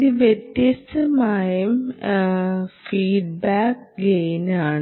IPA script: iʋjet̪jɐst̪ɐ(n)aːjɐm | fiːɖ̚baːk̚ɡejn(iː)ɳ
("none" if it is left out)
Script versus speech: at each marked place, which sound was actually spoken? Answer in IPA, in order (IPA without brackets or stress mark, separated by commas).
m, aː